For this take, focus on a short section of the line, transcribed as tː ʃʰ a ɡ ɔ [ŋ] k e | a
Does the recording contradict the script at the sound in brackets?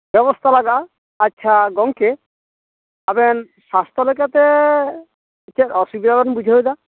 no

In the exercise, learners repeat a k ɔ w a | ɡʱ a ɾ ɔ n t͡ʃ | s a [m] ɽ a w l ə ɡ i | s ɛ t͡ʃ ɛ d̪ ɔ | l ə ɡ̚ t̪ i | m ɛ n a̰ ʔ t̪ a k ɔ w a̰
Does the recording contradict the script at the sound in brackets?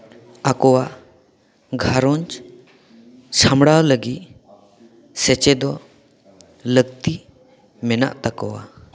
no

